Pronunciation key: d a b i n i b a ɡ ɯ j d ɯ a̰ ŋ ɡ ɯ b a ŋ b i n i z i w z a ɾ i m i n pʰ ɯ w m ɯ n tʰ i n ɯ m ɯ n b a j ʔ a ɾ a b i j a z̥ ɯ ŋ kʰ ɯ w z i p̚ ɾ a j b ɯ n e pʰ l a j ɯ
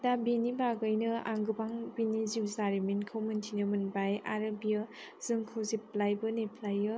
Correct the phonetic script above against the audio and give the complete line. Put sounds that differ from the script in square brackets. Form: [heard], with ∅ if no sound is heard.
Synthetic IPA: d a b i n i b a ɡ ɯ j [n] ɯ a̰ ŋ ɡ ɯ b a ŋ b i n i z i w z a ɾ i m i n [kʰ] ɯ w m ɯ n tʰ i n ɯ m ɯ n b a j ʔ a ɾ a b i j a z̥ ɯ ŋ kʰ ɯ w z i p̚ [l] a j b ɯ n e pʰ l a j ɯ